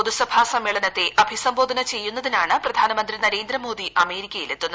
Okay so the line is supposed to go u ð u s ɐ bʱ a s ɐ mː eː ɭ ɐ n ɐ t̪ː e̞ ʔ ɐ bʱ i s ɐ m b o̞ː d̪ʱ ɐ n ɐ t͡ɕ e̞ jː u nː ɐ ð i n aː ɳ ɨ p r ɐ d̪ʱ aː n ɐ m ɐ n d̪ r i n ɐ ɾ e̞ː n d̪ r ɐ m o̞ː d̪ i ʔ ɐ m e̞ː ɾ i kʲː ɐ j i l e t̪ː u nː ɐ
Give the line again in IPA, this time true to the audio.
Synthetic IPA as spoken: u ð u s ɐ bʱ a s ɐ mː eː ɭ ɐ n ɐ t̪ː e̞ ʔ ɐ bʱ i s ɐ m b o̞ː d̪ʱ ɐ n ɐ t͡ɕ e̞ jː u nː ɐ ð i n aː ɳ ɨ p r ɐ d̪ʱ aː n ɐ m ɐ n d̪ r i n ɐ ɾ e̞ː n d̪ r ɐ m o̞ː d̪ i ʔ ɐ m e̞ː ɾ i kʲː ɐ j i l e t̪ː u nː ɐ